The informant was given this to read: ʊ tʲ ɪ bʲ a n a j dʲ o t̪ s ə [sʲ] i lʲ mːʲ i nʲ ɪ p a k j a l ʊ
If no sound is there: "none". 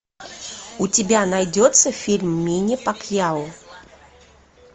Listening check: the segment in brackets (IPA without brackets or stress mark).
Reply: fʲ